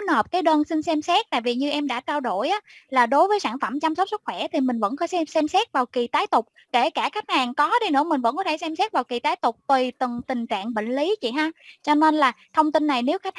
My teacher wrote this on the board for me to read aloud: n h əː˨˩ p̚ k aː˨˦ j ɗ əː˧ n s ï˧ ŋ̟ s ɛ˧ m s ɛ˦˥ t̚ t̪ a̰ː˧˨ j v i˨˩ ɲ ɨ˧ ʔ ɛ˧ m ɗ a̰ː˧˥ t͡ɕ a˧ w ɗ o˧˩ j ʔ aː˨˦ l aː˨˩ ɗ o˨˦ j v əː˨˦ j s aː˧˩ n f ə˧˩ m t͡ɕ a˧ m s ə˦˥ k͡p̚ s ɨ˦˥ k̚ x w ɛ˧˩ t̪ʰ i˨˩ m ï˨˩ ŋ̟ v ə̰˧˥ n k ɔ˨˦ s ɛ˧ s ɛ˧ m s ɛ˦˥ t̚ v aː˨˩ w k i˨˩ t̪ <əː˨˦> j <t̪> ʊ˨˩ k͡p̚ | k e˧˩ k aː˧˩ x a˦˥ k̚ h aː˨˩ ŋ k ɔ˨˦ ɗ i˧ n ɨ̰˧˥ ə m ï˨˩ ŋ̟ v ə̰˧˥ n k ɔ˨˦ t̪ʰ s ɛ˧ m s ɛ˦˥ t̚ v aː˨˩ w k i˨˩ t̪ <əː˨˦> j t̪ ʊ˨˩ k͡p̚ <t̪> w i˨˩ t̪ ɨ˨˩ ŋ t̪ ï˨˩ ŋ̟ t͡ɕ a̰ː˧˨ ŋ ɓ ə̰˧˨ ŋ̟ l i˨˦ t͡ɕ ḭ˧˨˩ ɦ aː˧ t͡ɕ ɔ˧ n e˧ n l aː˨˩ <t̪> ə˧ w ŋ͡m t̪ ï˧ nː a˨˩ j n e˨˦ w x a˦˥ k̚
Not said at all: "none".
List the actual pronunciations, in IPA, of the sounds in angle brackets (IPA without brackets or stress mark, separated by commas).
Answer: aː˨˦, t̪, aː˨˦, t̪, t̪ʰ